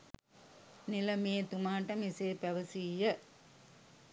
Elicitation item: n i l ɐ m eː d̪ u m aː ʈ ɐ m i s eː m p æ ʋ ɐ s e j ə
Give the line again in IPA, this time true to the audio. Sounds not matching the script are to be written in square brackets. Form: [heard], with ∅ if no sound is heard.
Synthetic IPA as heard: n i l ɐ m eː [t̪] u m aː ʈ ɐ m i s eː [∅] p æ ʋ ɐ s [i] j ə